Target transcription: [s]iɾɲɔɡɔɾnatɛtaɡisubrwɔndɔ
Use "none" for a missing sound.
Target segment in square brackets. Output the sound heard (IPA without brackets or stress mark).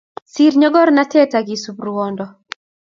s